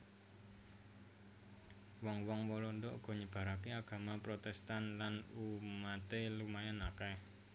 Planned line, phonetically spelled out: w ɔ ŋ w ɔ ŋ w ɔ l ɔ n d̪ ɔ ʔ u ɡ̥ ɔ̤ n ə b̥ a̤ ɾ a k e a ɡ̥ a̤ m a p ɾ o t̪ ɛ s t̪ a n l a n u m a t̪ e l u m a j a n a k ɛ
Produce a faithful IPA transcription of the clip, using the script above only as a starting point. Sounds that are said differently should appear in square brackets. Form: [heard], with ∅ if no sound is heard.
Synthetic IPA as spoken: w ɔ ŋ w ɔ ŋ w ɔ l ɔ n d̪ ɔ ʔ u ɡ̥ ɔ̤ [ɲ] ə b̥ a̤ ɾ a k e a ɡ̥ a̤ m a p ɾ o t̪ ɛ s t̪ a n l a n u m a t̪ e l u m a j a n a k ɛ